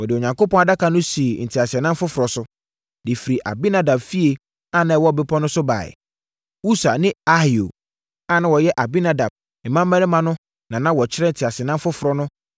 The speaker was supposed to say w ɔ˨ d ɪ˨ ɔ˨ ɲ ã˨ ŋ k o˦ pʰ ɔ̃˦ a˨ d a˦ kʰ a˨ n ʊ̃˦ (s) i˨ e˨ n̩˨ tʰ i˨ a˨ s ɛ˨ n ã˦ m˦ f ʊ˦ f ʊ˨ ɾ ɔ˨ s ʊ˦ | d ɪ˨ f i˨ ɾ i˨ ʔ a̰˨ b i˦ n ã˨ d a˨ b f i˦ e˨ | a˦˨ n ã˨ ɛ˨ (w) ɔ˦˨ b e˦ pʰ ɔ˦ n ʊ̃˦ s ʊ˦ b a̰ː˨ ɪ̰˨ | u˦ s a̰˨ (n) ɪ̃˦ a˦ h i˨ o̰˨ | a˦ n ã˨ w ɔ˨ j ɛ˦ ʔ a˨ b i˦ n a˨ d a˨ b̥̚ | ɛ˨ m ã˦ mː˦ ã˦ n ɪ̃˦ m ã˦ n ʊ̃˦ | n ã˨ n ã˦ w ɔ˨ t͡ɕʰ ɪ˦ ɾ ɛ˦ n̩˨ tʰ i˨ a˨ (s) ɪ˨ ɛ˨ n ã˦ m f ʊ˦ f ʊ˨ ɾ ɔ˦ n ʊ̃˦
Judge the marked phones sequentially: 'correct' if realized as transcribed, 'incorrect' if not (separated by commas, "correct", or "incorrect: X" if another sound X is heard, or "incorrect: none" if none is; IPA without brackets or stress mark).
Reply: correct, correct, correct, correct